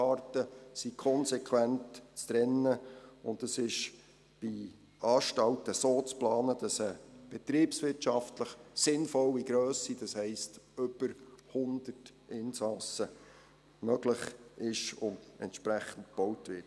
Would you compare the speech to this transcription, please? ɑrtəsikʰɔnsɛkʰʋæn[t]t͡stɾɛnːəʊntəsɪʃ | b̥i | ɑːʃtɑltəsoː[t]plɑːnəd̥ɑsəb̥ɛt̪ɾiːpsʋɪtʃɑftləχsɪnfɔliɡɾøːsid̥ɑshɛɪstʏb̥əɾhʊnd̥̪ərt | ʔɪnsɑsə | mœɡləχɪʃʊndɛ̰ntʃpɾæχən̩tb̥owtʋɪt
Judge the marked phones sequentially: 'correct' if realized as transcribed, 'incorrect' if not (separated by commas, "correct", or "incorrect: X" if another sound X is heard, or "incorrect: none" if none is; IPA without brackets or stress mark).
correct, incorrect: t͡s